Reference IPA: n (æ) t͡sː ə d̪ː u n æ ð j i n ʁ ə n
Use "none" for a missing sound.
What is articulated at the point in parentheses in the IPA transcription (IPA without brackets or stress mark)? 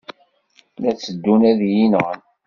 æ